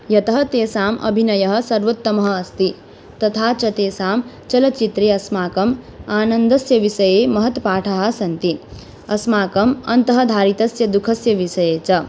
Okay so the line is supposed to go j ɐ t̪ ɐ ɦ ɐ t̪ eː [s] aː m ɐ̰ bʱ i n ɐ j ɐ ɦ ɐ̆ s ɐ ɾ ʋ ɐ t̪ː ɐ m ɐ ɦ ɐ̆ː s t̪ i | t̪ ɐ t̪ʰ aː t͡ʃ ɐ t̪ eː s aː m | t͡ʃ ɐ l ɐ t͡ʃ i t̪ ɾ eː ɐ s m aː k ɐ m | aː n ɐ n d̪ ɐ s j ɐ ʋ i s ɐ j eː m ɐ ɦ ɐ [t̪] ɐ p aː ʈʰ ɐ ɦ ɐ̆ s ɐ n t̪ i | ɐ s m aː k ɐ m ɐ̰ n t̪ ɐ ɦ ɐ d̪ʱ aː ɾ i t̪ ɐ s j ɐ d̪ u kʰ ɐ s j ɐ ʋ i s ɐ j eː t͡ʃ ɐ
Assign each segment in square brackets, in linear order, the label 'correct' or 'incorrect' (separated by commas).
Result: correct, correct